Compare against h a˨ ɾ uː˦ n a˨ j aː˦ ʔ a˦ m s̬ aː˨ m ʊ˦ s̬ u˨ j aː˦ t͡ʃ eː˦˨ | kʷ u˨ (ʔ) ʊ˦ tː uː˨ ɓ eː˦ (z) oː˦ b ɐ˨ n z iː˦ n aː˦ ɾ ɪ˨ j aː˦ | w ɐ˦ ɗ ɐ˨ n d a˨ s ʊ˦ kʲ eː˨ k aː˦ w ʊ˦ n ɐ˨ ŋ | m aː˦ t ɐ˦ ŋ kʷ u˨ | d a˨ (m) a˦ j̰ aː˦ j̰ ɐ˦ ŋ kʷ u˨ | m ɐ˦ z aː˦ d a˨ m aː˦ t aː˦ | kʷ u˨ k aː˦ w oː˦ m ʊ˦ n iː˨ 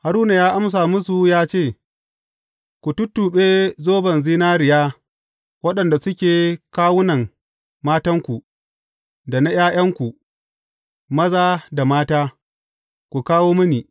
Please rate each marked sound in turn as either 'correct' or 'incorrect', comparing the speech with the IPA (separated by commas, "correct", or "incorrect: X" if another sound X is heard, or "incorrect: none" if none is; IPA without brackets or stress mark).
incorrect: t, correct, incorrect: n